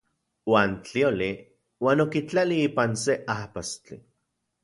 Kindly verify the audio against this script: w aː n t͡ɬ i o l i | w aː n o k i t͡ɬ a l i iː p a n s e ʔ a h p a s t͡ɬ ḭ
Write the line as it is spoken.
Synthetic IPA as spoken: w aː n t͡ɬ i o l i | w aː n o k i t͡ɬ a l i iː p a n s e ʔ a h p a s t͡ɬ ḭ